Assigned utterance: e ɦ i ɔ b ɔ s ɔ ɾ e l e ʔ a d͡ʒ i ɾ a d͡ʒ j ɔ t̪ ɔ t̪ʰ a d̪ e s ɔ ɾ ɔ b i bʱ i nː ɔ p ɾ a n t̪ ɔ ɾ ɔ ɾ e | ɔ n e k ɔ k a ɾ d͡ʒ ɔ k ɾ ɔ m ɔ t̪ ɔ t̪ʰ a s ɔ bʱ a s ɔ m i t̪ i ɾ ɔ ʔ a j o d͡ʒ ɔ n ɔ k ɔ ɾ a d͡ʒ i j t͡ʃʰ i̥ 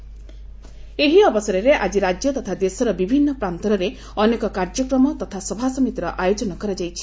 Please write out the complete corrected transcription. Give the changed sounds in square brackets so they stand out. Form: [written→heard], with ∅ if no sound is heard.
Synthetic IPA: e ɦ i ɔ b ɔ s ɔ ɾ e [l→ɾ] e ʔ a d͡ʒ i ɾ a d͡ʒ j ɔ t̪ ɔ t̪ʰ a d̪ e s ɔ ɾ ɔ b i bʱ i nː ɔ p ɾ a n t̪ ɔ ɾ ɔ ɾ e | ɔ n e k ɔ k a ɾ d͡ʒ ɔ k ɾ ɔ m ɔ t̪ ɔ t̪ʰ a s ɔ bʱ a s ɔ m i t̪ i ɾ ɔ ʔ a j o d͡ʒ ɔ n ɔ k ɔ ɾ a d͡ʒ [i→a] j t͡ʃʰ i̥